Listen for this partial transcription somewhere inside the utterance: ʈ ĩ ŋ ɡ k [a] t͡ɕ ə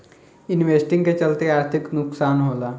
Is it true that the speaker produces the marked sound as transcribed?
no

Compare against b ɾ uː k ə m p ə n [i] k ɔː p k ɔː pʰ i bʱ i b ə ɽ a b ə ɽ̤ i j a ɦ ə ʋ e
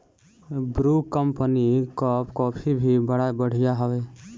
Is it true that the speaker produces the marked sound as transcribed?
yes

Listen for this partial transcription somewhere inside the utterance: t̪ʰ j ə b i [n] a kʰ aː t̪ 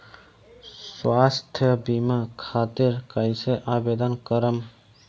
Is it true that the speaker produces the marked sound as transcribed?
no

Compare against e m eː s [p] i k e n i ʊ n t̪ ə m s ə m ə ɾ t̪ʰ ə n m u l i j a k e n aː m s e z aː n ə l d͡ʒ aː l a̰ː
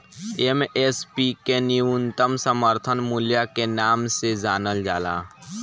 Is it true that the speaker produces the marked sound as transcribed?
yes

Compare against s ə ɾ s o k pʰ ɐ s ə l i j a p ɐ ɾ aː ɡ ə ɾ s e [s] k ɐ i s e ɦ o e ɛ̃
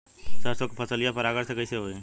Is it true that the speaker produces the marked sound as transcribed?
no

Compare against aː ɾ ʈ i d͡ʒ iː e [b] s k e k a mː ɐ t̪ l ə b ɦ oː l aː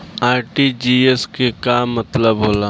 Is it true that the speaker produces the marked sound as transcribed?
no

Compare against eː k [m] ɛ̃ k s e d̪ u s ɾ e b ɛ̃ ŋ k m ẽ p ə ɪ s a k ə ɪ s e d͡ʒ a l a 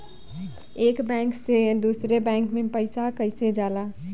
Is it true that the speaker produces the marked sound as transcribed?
no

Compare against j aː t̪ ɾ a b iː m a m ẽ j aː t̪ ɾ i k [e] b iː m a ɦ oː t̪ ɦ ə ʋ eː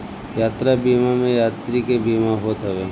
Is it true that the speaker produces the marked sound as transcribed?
yes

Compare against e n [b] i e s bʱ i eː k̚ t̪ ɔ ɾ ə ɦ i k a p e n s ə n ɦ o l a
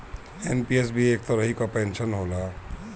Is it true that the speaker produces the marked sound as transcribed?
no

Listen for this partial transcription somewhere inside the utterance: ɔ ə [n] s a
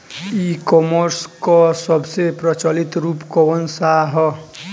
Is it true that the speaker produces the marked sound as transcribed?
yes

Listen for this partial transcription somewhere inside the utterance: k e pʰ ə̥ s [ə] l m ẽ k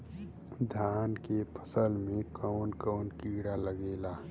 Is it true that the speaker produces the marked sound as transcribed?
yes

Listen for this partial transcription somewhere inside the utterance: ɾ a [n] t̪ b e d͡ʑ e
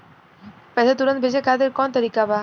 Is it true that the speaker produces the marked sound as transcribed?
yes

